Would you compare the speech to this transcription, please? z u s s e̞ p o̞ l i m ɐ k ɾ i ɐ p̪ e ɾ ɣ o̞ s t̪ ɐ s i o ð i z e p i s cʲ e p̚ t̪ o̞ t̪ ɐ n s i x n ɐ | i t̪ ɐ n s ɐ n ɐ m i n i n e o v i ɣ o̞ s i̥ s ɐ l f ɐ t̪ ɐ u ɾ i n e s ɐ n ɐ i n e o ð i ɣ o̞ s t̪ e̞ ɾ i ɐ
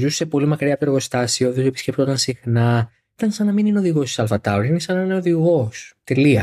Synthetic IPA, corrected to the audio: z u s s e̞ p o̞ l i m ɐ k ɾ i ɐ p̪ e ɾ ɣ o̞ s t̪ ɐ s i o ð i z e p i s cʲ e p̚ t̪ o̞ t̪ ɐ n s i x n ɐ | i t̪ ɐ n s ɐ n ɐ m i n i n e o ð i ɣ o̞ s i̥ s ɐ l f ɐ t̪ ɐ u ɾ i n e s ɐ n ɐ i n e o ð i ɣ o̞ s t̪ e̞ l i ɐ